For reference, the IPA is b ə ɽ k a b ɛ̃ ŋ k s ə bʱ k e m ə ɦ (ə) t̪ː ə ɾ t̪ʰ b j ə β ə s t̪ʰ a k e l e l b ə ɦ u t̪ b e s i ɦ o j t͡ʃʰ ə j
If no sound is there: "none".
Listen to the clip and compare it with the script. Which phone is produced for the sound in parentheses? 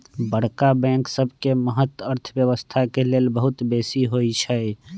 ə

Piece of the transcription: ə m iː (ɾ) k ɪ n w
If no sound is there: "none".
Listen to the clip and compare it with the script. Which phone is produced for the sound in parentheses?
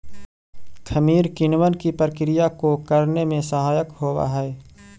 ɾ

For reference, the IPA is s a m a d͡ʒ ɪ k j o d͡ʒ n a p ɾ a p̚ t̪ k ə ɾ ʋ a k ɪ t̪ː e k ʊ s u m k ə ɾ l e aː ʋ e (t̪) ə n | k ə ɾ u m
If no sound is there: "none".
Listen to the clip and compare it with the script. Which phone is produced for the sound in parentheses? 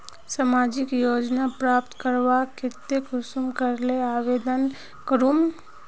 d̪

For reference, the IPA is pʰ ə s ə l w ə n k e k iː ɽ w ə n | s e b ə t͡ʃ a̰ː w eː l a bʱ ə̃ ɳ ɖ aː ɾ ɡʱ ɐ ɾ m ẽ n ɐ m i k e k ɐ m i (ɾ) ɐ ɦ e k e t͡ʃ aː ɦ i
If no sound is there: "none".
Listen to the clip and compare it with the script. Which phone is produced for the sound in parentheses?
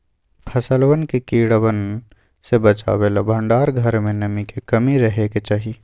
ɾ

